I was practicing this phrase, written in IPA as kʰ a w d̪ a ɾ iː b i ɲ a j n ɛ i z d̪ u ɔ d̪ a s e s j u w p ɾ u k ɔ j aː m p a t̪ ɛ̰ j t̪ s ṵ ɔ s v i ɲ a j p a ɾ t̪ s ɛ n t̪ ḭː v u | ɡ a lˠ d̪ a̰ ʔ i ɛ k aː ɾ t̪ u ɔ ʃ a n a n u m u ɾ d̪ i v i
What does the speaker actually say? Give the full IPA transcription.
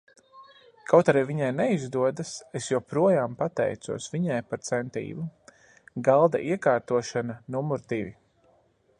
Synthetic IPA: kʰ a w t̪ a ɾ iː v i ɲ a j n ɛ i z d̪ u ɔ d̪ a s e s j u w p ɾ u ɔ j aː m p a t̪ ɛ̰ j t̪ s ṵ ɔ s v i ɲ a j p a ɾ t̪ s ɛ n t̪ ḭː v u | ɡ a lˠ d̪ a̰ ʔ i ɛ k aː ɾ t̪ u ɔ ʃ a n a n u m u ɾ d̪ i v i